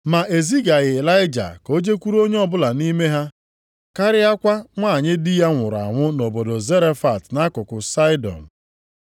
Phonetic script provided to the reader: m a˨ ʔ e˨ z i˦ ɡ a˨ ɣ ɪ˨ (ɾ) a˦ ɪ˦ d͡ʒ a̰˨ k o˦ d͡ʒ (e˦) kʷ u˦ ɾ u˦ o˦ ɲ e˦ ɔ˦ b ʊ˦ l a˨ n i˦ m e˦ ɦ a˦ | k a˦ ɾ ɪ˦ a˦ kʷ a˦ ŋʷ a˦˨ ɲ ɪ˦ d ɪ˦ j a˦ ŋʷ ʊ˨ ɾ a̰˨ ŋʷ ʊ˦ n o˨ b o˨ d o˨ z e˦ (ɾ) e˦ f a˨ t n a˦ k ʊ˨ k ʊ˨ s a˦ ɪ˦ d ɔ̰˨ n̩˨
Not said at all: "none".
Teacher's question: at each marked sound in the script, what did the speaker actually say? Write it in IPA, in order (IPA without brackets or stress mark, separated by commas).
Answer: l, e˦, ɾ